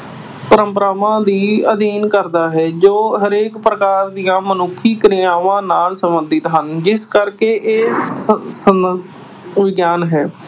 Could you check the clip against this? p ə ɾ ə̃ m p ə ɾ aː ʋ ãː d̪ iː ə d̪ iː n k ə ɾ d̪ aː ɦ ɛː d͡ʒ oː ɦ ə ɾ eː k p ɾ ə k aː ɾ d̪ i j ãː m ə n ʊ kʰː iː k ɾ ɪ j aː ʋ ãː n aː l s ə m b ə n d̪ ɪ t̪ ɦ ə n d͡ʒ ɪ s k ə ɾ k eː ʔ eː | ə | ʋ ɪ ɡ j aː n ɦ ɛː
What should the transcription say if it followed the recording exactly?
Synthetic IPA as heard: p ə ɾ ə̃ m p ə ɾ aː ʋ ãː d̪ iː ə d̪ iː n k ə ɾ d̪ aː ɦ ɛː d͡ʒ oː ɦ ə ɾ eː k p ɾ ə k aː ɾ d̪ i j ãː m ə n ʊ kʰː iː k ɾ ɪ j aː ʋ ãː n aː l s ə m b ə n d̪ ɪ t̪ ɦ ə n d͡ʒ ɪ s k ə ɾ k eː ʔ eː | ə | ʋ ɪ ɡ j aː n ɦ ɛː